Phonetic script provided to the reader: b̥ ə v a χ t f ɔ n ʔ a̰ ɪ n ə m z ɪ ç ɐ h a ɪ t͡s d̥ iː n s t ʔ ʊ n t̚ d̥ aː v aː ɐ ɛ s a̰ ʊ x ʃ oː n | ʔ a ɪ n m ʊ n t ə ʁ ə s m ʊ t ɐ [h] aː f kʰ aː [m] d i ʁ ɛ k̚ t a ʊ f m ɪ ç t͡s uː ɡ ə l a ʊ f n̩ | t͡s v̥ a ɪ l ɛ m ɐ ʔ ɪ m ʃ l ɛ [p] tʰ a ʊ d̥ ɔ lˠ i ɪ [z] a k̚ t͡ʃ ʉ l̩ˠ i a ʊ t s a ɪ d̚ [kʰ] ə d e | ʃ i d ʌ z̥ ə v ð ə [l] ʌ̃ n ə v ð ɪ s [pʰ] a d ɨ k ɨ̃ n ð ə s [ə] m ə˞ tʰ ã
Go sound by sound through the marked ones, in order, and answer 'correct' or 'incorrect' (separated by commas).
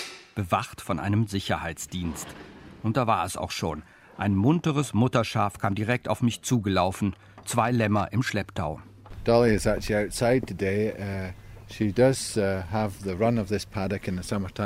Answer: incorrect, correct, correct, correct, incorrect, incorrect, correct, incorrect